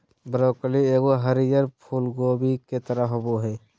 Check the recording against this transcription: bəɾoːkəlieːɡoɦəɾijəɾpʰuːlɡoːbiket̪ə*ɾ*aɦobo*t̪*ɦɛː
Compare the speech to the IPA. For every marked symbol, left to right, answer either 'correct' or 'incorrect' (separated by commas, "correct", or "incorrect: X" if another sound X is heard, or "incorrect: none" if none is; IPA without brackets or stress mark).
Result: correct, incorrect: none